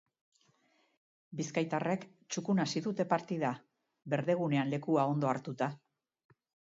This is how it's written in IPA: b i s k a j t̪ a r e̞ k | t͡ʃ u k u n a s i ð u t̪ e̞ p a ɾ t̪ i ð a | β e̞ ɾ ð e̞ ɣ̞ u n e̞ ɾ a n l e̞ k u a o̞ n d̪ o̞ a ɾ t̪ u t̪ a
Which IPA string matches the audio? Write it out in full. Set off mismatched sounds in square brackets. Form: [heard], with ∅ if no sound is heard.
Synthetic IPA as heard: b i s k a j t̪ a r e̞ k | t͡ʃ u k u n a s i ð u t̪ e̞ p a ɾ t̪ i ð a | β e̞ ɾ ð e̞ ɣ̞ u n e̞ [∅] a n l e̞ k u a o̞ n d̪ o̞ a ɾ t̪ u t̪ a

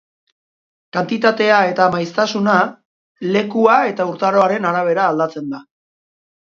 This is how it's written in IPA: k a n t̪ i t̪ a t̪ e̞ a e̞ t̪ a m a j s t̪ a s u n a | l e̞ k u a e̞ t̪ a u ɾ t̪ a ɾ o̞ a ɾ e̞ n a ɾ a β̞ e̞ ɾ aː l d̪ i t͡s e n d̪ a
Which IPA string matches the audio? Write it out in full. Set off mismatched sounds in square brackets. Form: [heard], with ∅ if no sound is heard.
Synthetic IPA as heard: k a n t̪ i t̪ a t̪ e̞ a e̞ t̪ a m a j s t̪ a s u n a | l e̞ k u a e̞ t̪ a u ɾ t̪ a ɾ o̞ a ɾ e̞ n a ɾ a β̞ e̞ ɾ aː l d̪ [a] t͡s e n d̪ a

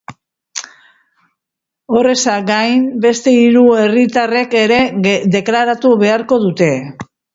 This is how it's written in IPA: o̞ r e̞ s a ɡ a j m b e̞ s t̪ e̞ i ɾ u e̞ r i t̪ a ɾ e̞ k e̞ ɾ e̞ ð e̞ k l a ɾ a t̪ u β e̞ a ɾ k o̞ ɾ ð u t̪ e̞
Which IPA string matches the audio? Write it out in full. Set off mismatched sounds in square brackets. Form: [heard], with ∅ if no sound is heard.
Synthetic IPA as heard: o̞ r e̞ s a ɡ a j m b e̞ s t̪ e̞ i ɾ u e̞ r i t̪ a [r] e̞ k e̞ ɾ e̞ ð e̞ k l a ɾ a t̪ u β e̞ a ɾ k o̞ [∅] ð u t̪ e̞

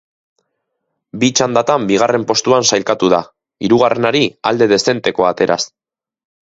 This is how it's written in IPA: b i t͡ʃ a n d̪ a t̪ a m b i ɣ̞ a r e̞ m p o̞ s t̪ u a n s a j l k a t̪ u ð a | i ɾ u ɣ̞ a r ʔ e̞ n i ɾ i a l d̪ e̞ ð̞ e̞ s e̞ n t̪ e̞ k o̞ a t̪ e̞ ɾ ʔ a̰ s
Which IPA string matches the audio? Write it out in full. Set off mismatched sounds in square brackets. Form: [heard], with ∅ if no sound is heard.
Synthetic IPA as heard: b i t͡ʃ a n d̪ a t̪ a m b i ɣ̞ a r e̞ m p o̞ s t̪ u a n s a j l k a t̪ u ð a | i ɾ u ɣ̞ a r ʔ e̞ n [a] ɾ i a l d̪ e̞ ð̞ e̞ s e̞ n t̪ e̞ k o̞ a t̪ e̞ ɾ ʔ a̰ s

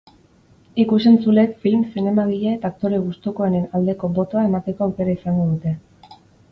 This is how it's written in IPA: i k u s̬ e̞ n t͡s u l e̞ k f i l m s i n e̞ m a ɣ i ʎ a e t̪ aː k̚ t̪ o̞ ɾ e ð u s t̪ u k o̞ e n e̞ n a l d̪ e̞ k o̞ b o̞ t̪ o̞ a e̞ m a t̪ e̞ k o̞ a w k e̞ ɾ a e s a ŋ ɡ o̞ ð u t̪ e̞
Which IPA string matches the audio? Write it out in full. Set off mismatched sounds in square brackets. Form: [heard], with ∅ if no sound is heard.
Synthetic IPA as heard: i k u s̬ e̞ n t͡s u l e̞ k f i l m s i n e̞ m a ɣ i ʎ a e t̪ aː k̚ t̪ o̞ ɾ e [ɣ] u s t̪ u k o̞ e n e̞ n a l d̪ e̞ k o̞ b o̞ t̪ o̞ a e̞ m a t̪ e̞ k o̞ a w k e̞ ɾ a [i] s a ŋ ɡ o̞ ð u t̪ e̞

